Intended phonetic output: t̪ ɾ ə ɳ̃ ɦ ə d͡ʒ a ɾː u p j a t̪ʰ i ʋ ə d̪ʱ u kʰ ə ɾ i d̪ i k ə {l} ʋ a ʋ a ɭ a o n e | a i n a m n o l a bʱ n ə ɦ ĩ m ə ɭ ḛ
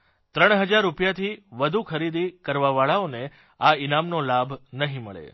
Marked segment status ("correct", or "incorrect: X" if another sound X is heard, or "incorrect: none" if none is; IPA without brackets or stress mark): incorrect: ɾ